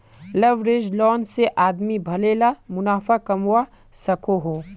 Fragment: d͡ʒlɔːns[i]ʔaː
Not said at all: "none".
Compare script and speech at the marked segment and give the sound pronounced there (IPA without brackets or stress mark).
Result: e